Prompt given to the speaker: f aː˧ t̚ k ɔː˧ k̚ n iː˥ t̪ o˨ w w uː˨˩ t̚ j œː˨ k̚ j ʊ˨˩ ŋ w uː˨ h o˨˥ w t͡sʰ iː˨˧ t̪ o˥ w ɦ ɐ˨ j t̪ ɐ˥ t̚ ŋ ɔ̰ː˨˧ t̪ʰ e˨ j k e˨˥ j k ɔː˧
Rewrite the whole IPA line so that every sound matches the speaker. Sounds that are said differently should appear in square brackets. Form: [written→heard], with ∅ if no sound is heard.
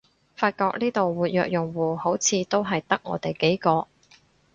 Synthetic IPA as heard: f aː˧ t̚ k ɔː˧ k̚ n iː˥ t̪ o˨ w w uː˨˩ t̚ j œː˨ k̚ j ʊ˨˩ ŋ w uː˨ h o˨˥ w t͡sʰ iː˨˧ t̪ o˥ w ɦ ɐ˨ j t̪ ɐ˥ [t̚→k̚] ŋ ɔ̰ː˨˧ [t̪ʰ→t̪] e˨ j k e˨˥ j k ɔː˧